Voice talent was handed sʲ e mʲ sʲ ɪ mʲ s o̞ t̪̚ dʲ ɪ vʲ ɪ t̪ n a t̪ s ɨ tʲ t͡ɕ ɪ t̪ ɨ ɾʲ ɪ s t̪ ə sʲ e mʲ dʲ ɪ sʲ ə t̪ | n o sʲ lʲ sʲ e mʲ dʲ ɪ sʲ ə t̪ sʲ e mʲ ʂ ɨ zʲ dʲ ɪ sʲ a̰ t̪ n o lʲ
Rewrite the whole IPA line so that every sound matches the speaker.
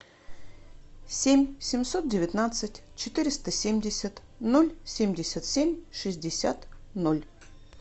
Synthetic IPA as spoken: sʲ e mʲ sʲ ɪ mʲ s o̞ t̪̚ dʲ ɪ vʲ ɪ t̪ n a t̪ s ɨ tʲ t͡ɕ ɪ t̪ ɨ ɾʲ ɪ s t̪ ə sʲ e mʲ dʲ ɪ sʲ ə t̪ | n o lʲ sʲ e mʲ dʲ ɪ sʲ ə t̪ sʲ e mʲ ʂ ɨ zʲ dʲ ɪ sʲ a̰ t̪ n o lʲ